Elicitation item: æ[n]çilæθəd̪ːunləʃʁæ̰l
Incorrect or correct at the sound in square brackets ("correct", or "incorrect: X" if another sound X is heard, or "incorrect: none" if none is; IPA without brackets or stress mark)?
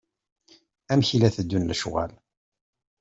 incorrect: m